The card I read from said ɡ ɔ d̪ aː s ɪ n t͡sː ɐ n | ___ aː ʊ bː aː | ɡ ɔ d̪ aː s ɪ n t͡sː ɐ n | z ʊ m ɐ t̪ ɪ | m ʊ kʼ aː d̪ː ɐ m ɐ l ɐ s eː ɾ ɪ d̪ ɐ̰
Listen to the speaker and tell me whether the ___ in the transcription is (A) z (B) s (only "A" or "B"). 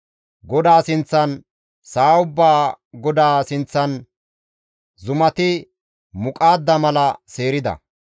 B